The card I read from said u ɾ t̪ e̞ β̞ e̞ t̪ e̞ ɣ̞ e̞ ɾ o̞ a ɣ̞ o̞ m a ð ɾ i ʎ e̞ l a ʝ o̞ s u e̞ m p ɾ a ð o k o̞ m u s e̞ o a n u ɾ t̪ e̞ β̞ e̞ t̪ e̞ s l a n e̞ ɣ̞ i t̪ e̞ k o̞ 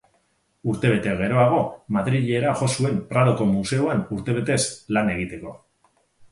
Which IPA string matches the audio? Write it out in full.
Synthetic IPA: u ɾ t̪ e̞ β̞ e̞ t̪ e̞ ɣ̞ e̞ ɾ o̞ a ɣ̞ o̞ m a ð ɾ i ʎ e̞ ɾ a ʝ o̞ s u e̞ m p ɾ a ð o k o̞ m u s e̞ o a n u ɾ t̪ e̞ β̞ e̞ t̪ e̞ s l a n e̞ ɣ̞ i t̪ e̞ k o̞